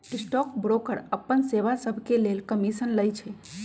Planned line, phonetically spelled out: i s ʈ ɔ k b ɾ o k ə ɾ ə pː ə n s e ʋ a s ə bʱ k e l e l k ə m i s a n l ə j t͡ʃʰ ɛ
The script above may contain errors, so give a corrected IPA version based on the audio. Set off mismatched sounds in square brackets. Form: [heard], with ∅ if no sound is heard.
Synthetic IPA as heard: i s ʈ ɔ k b ɾ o k ə ɾ ə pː ə n s e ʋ a s ə bʱ k e l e l k ə m i s [ə] n l ə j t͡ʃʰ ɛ